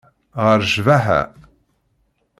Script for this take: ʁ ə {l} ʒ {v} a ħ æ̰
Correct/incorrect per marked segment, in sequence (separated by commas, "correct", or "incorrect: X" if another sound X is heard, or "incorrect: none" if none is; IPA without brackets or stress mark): incorrect: ɾ, correct